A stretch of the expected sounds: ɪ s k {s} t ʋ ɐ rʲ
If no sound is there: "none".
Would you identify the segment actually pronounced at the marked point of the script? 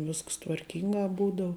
s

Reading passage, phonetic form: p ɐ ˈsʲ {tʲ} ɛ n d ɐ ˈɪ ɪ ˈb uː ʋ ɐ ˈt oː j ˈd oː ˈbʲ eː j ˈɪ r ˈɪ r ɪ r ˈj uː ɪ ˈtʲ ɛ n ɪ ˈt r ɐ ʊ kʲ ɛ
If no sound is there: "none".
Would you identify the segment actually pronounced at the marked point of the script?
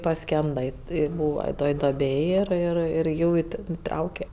kʲ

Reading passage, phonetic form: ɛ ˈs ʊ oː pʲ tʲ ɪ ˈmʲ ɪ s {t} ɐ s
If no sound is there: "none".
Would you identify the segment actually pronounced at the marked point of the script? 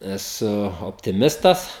t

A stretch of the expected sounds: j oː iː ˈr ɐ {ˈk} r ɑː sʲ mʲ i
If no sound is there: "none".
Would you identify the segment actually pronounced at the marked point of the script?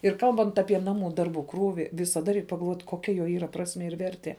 p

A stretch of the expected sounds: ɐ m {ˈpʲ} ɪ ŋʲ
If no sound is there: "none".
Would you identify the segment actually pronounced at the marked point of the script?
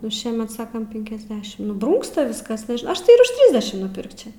pʲ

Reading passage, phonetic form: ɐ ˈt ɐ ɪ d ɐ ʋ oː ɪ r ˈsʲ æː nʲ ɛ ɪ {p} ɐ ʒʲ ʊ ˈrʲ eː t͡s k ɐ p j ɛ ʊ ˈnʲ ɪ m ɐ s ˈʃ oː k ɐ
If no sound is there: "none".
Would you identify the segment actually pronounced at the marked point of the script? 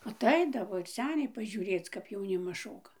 p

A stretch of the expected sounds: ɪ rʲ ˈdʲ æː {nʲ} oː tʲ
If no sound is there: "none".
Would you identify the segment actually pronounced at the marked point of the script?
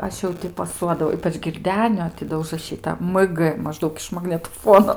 nʲ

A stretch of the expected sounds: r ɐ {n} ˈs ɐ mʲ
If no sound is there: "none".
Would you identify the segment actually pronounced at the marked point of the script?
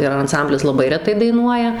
n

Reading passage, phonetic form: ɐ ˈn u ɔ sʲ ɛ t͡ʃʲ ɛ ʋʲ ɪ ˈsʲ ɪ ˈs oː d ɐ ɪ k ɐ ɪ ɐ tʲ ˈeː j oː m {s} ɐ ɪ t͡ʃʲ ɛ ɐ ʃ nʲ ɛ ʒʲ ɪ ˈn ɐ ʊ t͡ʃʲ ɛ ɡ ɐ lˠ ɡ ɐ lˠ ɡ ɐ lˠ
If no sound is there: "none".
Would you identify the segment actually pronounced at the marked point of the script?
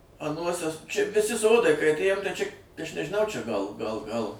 t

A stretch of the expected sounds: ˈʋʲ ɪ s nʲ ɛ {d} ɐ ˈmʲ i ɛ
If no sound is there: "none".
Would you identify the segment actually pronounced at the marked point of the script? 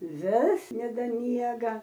d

